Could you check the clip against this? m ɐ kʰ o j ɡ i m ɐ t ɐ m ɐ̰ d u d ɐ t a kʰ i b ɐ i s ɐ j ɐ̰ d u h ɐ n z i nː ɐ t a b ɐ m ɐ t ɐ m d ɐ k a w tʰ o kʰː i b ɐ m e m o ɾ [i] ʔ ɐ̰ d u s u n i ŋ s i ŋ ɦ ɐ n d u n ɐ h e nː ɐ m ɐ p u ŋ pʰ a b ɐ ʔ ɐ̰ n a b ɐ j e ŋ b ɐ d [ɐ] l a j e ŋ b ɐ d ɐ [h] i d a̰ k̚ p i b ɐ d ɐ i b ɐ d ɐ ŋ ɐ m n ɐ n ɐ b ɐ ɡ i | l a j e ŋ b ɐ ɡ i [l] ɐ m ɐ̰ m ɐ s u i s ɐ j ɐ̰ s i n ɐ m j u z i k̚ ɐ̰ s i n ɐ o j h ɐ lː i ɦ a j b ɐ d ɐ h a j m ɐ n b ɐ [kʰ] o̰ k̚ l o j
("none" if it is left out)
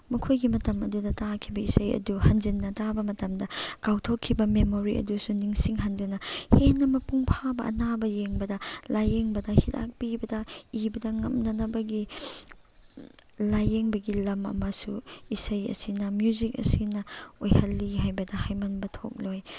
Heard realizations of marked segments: i, ɐ, h, l, tʰ

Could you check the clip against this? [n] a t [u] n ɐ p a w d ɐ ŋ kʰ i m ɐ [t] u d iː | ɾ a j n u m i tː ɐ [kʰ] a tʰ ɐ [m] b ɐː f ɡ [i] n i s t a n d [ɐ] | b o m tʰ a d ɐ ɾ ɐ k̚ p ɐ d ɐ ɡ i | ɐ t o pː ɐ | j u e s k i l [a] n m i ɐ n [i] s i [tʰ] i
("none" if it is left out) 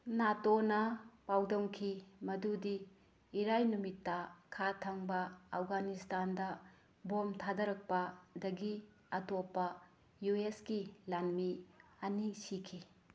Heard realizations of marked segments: n, o, d, kʰ, ŋ, a, ɐ, a, i, kʰ

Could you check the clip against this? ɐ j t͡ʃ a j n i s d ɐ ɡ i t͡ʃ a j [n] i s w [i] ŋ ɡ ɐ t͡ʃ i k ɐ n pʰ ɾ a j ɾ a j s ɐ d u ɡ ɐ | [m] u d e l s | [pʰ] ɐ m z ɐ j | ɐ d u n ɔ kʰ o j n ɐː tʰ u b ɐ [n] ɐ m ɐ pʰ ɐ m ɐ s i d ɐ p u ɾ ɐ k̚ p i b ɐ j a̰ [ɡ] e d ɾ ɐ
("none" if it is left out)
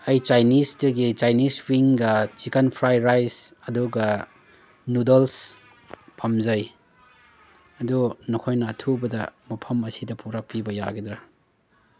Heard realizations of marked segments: n, i, n, pʰ, d, ɡ

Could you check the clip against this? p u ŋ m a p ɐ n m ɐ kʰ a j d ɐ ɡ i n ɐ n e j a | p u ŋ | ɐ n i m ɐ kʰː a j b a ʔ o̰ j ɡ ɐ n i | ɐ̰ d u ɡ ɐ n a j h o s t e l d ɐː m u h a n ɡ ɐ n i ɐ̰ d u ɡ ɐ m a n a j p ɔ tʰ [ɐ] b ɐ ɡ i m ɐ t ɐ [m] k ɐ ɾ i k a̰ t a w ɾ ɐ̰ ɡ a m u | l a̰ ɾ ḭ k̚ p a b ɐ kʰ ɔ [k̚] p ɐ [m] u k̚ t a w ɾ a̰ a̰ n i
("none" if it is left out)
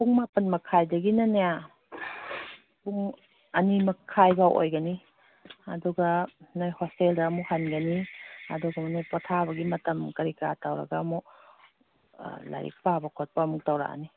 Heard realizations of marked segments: a, m, t̚, m

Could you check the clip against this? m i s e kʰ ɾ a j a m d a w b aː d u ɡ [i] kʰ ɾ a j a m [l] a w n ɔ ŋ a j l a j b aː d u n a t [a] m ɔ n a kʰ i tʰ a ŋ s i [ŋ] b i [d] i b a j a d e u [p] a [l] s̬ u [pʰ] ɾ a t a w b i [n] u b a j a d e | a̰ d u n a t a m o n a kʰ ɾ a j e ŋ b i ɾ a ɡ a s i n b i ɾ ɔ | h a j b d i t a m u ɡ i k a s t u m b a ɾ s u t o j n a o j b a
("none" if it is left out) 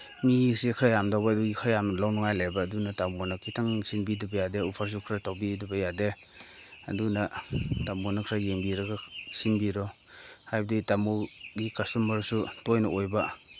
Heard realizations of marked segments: i, l, a, n, d, pʰ, ɾ, kʰ, d

